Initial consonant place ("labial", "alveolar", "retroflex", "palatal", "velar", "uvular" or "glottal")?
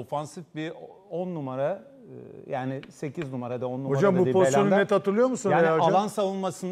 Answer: labial